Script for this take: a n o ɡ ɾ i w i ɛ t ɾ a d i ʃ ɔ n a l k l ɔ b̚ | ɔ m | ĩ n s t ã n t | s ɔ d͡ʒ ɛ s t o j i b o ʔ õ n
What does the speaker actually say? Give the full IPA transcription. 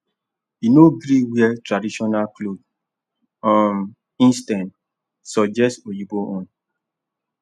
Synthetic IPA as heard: i n o ɡ ɾ i w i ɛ t ɾ a d i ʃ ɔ n a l k l o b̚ | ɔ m | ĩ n s t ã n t | s ɔ d͡ʒ ɛ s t o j i b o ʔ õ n

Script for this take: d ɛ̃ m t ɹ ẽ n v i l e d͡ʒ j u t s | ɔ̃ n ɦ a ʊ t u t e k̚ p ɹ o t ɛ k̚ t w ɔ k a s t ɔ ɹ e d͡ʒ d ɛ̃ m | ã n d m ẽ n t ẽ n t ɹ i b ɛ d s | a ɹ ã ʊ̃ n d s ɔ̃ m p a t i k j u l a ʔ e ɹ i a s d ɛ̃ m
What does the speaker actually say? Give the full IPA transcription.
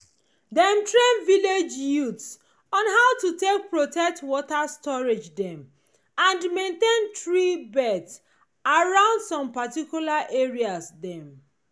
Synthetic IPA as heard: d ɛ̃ m t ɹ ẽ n v i l e d͡ʒ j u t s | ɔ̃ n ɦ a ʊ t u t e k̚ p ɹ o t ɛ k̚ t w ɔ t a s t ɔ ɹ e d͡ʒ d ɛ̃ m | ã n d m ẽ n t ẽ n t ɹ i b ɛ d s | a ɹ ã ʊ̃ n d s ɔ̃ m p a t i k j u l a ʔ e ɹ i a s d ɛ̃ m

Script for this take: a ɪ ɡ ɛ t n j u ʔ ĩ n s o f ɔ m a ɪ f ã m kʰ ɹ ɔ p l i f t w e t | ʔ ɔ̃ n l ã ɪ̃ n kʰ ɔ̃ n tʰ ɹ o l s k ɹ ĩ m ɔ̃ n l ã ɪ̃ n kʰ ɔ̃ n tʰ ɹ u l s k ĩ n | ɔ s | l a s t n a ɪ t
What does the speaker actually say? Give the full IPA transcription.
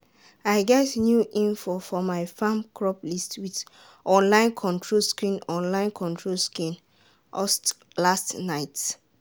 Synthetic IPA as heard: a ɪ ɡ ɛ t n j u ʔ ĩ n f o f ɔ m a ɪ f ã m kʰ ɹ ɔ p l i s t w i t | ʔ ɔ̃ n l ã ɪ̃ n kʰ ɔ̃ n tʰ ɹ o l s k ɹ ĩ n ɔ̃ n l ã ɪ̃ n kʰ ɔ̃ n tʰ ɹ o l s k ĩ n | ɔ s | l a s t n a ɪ t

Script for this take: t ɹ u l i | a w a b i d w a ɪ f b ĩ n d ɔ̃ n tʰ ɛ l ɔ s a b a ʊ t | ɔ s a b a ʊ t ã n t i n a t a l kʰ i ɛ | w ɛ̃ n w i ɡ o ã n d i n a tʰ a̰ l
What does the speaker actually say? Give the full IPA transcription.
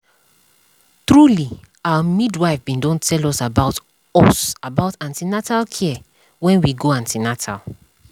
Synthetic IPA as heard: t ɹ u l i | a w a m i d w a ɪ f b ĩ n d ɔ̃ n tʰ ɛ l ɔ s a b a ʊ t | ɔ s a b a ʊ t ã n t i n a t a l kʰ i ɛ | w ɛ̃ n w i ɡ o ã n t i n a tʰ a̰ l

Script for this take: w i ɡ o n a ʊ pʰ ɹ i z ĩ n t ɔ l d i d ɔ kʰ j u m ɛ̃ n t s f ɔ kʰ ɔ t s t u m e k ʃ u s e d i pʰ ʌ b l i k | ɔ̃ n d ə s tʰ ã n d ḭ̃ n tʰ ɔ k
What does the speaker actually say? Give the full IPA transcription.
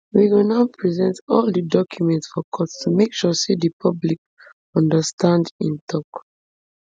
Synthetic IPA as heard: w i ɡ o n a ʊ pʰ ɹ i z ɛ̃ n t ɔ l d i d ɔ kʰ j u m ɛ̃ n t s f ɔ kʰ ɔ t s t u m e k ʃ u s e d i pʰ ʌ b l i k | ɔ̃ n d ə s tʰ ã n d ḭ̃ n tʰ ɔ k

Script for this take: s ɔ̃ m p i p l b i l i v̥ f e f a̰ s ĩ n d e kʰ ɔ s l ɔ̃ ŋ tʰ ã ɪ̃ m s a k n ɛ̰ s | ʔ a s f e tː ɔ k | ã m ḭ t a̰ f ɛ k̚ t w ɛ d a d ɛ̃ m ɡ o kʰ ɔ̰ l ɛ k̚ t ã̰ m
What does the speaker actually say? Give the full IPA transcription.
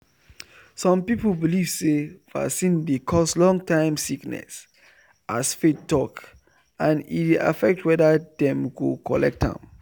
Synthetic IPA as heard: s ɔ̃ m p i p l b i l i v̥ s e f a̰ s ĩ n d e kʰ ɔ s l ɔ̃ ŋ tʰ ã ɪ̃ m s i k n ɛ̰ s | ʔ a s f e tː ɔ k | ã n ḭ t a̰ f ɛ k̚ t w ɛ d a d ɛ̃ m ɡ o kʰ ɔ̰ l ɛ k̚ t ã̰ m

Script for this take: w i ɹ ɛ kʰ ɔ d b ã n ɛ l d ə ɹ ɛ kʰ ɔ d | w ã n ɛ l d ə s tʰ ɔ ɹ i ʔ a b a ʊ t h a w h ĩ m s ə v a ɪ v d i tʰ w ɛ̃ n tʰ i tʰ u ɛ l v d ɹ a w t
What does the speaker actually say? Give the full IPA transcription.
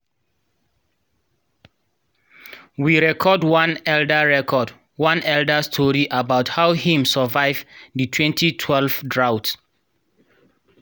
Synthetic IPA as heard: w i ɹ ɛ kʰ ɔ d w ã n ɛ l d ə ɹ ɛ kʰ ɔ d | w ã n ɛ l d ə s tʰ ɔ ɹ i ʔ a b a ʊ t h a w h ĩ m s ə v a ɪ v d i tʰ w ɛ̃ n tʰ i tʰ w ɛ l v d ɹ a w t

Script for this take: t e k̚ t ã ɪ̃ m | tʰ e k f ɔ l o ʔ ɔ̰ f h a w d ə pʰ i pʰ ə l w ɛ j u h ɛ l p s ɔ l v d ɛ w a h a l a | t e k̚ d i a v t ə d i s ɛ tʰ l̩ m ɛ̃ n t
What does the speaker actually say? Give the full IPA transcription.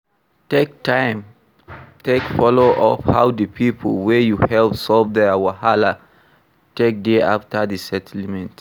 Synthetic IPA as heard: t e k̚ t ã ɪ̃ m | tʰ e k f ɔ l o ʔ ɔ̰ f h a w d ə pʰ i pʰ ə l w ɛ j u h ɛ l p s ɔ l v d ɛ w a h a l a | t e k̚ d e a f t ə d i s ɛ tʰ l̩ m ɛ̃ n t

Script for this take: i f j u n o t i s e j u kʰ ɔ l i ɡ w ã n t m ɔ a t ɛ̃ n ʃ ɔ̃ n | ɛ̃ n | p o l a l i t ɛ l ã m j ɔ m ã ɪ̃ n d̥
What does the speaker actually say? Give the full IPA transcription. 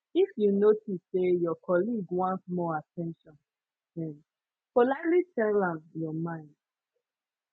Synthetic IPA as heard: i f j u n o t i s e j ɔ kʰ ɔ l i ɡ w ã n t m ɔ a t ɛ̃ n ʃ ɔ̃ n | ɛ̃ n | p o l a l i t ɛ l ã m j ɔ m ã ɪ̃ n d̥

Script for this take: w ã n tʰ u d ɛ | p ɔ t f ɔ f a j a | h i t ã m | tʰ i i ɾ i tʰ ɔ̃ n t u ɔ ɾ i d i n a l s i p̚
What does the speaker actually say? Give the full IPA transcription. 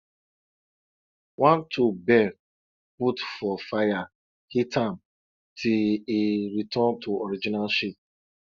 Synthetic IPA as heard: w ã n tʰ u b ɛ | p u t f ɔ f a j a | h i t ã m | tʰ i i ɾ i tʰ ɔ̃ n t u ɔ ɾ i d͡ʒ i n a l ʃ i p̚

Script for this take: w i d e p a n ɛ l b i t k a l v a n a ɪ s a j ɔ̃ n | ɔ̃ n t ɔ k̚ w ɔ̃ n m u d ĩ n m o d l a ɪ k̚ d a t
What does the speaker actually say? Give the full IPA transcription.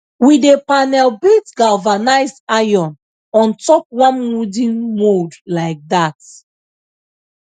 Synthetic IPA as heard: w i d e p a n ɛ l b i t ɡ a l v a n a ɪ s a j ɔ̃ n | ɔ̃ n t ɔ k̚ w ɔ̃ n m u d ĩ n m o d l a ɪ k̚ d a t

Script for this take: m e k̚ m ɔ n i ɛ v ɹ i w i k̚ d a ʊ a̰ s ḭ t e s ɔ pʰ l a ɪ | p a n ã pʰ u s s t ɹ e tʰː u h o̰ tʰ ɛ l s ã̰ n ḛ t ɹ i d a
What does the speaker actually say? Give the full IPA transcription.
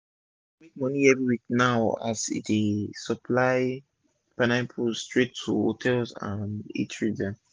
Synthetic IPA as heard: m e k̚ m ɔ n i ɛ v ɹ i w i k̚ n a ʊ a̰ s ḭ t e s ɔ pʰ l a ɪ | p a n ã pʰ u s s t ɹ e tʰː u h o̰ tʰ ɛ l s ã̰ n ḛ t ɹ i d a

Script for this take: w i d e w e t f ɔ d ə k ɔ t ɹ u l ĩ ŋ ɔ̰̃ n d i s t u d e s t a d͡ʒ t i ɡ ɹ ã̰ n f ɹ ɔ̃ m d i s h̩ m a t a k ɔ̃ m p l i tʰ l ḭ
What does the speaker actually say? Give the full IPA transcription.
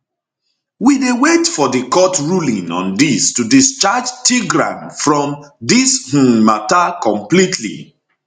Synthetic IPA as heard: w i d e w e t f ɔ d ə k ɔ t ɹ u l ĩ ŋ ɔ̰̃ n d i s t u d i s t͡ʃ a d͡ʒ t i ɡ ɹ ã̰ n f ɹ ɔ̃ m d i s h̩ m a t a k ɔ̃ m p l i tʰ l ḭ

